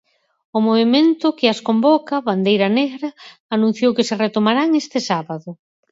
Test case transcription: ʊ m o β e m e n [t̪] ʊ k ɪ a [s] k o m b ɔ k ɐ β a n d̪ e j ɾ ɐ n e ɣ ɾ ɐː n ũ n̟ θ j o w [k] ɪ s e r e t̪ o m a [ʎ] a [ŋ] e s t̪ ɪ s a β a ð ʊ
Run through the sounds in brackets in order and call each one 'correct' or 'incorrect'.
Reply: correct, correct, correct, incorrect, correct

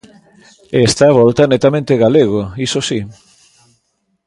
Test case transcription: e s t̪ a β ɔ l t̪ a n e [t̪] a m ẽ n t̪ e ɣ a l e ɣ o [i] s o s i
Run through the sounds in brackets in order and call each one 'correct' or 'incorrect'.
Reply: correct, correct

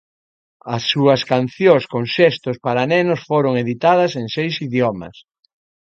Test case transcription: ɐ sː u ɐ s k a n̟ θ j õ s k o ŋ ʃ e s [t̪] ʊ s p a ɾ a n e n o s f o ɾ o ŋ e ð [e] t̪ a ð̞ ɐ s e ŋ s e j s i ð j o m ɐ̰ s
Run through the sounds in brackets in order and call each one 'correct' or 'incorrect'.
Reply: correct, incorrect

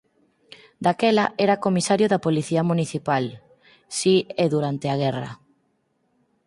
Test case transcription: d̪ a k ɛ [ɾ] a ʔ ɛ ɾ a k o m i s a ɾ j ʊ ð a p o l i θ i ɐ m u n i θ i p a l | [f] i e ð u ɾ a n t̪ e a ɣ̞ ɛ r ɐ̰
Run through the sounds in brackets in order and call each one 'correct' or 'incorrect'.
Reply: incorrect, incorrect

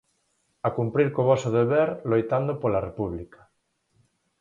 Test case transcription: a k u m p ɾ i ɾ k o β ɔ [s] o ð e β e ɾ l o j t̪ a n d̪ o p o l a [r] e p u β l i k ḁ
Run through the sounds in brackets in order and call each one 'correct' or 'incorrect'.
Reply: correct, correct

